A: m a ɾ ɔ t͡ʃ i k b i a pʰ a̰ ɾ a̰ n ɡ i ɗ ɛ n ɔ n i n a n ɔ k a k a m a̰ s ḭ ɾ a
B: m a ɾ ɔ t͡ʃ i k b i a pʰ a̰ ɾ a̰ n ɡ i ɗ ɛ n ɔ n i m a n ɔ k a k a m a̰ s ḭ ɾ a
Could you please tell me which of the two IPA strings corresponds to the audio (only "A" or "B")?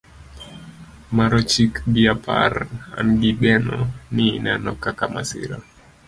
A